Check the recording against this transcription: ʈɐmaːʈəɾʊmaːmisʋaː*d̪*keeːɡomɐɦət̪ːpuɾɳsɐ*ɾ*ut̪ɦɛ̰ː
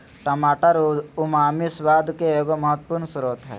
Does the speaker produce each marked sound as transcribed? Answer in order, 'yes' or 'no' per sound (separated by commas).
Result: yes, yes